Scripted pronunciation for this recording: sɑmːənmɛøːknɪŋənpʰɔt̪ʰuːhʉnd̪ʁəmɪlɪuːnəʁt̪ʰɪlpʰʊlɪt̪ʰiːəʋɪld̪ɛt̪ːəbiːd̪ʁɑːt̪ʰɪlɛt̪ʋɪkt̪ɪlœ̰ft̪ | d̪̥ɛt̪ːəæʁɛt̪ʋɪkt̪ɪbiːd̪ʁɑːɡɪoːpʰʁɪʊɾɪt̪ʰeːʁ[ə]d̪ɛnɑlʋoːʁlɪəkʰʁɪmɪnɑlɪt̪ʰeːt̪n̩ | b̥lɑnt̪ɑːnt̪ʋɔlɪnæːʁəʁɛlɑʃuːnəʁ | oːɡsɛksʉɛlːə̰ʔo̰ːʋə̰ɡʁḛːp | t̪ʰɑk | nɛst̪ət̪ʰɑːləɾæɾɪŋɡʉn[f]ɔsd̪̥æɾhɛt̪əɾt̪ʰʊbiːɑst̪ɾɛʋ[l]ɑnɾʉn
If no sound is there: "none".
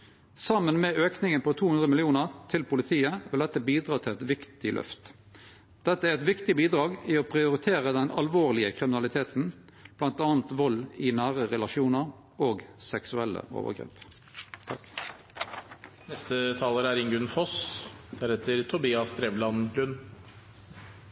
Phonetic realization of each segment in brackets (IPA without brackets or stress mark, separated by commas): ə, f, l